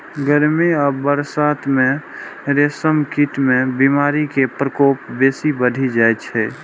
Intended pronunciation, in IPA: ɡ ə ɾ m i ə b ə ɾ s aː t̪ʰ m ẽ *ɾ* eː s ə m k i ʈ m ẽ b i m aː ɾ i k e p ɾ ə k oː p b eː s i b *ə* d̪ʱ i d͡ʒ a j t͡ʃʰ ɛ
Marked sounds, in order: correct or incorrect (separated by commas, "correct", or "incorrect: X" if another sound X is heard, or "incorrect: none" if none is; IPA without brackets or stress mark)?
correct, correct